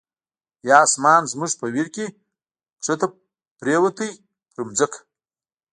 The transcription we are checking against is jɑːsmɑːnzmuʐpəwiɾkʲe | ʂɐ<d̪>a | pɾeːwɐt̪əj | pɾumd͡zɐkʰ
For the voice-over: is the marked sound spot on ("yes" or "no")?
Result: no